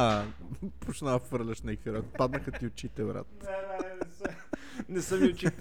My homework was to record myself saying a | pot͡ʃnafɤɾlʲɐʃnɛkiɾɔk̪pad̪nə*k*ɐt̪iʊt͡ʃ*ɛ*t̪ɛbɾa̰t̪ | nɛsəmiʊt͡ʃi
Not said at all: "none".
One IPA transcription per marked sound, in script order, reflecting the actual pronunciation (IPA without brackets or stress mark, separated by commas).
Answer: x, i